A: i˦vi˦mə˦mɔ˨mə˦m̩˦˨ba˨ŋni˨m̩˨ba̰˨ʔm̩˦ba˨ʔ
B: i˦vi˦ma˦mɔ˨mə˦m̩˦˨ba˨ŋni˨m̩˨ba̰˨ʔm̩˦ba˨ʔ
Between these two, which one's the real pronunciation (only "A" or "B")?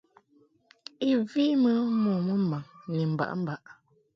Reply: A